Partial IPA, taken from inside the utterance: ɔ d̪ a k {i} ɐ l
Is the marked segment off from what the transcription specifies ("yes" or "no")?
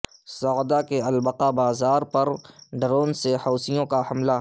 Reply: yes